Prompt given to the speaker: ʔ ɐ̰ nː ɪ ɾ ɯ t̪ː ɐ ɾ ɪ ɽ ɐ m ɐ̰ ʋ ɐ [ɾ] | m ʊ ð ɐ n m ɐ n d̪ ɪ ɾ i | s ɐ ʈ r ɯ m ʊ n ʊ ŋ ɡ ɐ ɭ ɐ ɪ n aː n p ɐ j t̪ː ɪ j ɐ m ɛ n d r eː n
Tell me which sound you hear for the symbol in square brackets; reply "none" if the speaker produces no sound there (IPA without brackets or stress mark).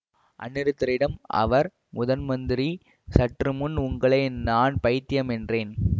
ɾ